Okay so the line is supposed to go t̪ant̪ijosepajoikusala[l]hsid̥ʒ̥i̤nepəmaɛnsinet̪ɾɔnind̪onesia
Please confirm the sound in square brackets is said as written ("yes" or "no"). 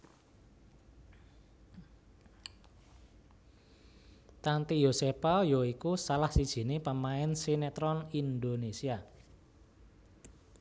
no